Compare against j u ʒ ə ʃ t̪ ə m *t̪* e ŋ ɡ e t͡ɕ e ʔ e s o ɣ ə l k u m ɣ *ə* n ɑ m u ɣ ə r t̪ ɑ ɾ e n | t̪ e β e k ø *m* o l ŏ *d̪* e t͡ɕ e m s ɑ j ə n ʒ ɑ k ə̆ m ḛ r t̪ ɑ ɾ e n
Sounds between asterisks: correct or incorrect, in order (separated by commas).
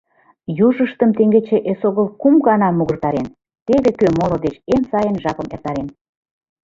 correct, incorrect, correct, correct